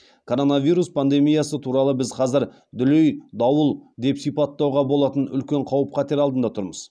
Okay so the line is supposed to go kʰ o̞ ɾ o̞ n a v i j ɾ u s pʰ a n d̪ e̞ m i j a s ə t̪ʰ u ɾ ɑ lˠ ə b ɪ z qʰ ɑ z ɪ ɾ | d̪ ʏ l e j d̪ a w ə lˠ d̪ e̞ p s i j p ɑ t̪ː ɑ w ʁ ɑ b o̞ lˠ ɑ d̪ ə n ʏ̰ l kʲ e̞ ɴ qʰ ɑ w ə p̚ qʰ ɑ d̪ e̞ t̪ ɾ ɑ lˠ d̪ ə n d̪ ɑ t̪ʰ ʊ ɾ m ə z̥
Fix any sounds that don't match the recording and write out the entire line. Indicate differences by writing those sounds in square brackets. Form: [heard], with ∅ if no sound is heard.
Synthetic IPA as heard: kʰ o̞ ɾ o̞ n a v i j ɾ u s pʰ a n d̪ e̞ m i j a s ə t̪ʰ u ɾ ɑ lˠ ə b ɪ z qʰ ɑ z ɪ ɾ | d̪ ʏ l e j d̪ [ɑ] w ə lˠ d̪ e̞ p s i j p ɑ t̪ː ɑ w ʁ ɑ b o̞ lˠ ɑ [t̪] ə n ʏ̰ l kʲ e̞ ɴ qʰ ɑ w ə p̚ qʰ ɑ [t̪] e̞ [∅] ɾ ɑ lˠ d̪ ə n d̪ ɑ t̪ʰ ʊ ɾ m ə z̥